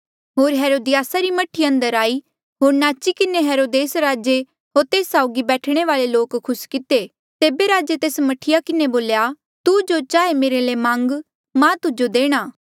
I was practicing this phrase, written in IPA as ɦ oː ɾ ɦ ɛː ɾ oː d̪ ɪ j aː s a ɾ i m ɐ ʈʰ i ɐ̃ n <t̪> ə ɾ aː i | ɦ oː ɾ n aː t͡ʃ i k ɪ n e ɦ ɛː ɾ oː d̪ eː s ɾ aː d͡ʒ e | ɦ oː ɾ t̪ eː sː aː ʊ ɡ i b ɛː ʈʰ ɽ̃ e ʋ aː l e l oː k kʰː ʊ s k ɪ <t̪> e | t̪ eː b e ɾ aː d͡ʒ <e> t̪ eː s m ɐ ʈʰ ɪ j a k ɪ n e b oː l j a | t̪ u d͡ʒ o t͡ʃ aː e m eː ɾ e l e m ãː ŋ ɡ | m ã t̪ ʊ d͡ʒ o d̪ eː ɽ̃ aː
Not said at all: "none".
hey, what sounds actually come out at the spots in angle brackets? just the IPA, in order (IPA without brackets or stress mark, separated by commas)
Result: d̪, t̪, e